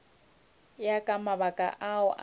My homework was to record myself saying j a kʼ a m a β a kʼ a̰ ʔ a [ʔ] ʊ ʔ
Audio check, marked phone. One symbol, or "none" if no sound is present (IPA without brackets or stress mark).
none